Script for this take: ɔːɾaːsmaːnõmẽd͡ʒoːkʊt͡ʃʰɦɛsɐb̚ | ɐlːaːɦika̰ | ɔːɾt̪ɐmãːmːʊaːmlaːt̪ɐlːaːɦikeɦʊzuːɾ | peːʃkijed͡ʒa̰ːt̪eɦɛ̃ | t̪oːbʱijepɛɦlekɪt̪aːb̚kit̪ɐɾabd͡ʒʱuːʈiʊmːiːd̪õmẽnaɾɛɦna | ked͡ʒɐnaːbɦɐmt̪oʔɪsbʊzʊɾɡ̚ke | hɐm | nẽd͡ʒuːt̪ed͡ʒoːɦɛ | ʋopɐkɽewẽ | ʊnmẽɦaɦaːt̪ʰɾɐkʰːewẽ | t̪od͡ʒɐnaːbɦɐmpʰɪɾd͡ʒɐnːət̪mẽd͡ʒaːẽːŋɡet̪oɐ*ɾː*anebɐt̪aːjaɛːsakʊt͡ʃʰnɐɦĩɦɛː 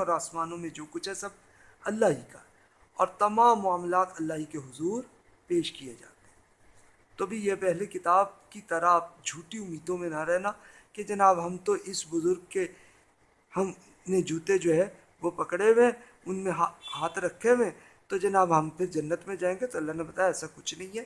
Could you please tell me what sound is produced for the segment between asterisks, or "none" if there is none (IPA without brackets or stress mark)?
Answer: lː